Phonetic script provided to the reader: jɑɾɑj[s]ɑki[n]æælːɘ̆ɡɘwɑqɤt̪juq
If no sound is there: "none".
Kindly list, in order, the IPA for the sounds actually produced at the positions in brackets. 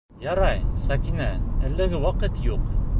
s, n

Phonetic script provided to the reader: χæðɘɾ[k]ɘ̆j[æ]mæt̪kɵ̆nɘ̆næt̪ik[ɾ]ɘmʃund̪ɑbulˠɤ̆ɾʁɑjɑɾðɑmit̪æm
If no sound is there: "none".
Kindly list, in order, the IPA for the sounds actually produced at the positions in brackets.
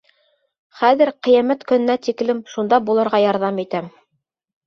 q, æ, l

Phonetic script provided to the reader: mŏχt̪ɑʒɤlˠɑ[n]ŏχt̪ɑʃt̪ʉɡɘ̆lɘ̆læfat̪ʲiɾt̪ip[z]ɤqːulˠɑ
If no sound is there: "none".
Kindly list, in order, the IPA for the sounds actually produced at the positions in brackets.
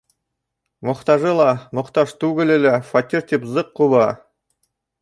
m, z

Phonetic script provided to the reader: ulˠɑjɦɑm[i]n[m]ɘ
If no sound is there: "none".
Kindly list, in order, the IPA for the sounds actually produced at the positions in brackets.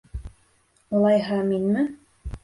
i, m

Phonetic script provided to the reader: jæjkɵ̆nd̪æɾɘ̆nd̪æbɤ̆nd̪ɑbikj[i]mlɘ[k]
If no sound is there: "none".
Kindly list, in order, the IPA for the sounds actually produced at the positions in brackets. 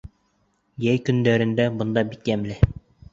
æ, none

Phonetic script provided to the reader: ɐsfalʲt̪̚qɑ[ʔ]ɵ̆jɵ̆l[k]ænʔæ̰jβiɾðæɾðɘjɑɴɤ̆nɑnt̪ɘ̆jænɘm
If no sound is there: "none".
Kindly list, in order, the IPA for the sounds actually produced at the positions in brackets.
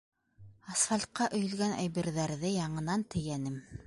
ʔ, ɡ

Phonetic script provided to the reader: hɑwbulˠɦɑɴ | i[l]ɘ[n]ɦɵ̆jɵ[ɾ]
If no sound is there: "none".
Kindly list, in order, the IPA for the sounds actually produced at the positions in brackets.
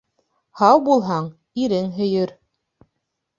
ɾ, ŋ, ɾ

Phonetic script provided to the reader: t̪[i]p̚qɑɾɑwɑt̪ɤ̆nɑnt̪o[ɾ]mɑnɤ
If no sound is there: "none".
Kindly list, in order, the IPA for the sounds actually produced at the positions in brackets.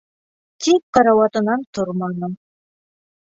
i, ɾ

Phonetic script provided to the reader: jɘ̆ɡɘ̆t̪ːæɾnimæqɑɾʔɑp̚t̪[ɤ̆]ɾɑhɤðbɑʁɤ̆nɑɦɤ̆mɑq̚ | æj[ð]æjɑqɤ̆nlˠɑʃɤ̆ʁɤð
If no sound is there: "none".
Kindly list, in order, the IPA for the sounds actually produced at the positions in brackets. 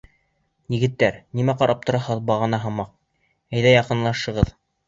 ŏ, ð

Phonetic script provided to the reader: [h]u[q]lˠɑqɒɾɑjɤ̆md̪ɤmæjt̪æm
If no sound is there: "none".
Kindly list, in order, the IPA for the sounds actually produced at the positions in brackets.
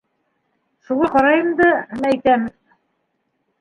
ʃ, none

